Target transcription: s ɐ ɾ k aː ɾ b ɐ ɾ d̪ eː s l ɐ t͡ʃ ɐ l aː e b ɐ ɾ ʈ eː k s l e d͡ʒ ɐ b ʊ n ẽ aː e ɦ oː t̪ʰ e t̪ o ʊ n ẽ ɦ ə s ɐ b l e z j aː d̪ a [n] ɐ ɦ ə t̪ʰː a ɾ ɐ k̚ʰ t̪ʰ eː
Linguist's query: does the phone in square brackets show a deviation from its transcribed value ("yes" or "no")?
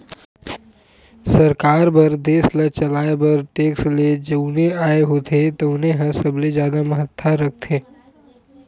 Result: yes